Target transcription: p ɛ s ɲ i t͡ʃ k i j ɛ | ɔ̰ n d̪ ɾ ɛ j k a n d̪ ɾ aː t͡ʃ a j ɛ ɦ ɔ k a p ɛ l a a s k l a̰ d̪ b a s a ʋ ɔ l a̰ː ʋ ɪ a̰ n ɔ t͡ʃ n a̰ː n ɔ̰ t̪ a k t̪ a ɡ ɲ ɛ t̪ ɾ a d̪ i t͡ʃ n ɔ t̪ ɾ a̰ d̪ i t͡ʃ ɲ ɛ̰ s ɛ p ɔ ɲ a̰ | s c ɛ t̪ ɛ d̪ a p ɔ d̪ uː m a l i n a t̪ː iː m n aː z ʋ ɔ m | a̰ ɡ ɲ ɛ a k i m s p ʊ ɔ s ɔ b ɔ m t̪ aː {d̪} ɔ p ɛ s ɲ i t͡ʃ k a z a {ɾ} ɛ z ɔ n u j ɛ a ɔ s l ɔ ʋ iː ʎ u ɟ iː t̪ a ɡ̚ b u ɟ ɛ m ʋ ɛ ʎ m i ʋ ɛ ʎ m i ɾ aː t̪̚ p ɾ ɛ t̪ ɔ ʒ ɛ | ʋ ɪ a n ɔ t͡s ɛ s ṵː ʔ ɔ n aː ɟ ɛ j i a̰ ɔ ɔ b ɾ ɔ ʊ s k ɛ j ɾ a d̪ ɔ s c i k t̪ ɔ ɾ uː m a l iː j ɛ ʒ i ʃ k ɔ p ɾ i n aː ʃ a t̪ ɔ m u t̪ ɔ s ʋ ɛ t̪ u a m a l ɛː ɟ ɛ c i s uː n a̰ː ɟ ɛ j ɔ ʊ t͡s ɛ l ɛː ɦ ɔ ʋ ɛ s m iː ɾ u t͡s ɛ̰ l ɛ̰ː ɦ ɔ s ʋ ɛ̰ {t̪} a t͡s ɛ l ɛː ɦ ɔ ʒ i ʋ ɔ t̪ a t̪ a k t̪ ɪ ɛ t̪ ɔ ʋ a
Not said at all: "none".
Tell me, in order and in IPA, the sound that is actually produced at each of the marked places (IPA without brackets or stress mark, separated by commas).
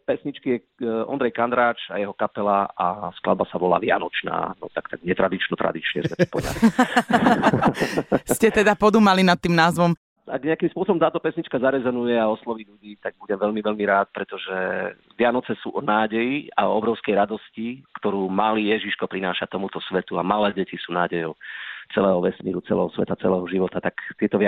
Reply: t̪, ɾ, t̪